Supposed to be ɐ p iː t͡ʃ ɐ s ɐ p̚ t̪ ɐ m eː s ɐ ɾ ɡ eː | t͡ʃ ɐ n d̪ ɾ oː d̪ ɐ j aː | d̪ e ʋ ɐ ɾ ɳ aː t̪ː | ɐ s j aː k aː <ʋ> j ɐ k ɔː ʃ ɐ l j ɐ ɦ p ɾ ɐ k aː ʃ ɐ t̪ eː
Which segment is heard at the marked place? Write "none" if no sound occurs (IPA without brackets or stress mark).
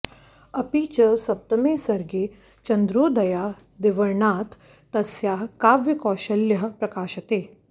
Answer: ʋ